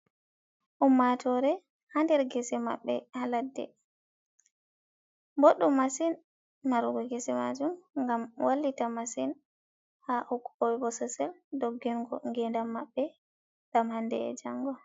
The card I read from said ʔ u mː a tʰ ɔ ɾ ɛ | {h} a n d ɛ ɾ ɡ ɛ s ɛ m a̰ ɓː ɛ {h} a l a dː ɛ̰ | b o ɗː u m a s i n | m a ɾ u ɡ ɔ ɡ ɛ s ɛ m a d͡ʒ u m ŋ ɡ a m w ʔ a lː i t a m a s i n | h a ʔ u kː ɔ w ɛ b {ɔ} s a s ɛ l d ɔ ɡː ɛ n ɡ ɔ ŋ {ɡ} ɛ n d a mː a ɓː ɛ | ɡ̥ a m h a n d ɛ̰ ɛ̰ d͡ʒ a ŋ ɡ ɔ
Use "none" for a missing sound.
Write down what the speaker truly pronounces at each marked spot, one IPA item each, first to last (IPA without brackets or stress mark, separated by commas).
h, h, ɔ, ɡ